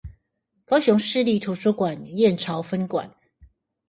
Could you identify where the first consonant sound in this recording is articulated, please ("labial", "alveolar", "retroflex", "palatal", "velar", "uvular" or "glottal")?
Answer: velar